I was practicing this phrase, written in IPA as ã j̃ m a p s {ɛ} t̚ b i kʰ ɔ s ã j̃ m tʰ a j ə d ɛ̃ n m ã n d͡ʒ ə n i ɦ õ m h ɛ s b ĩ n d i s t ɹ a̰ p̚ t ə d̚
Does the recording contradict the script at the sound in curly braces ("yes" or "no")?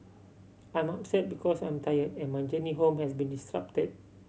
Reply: no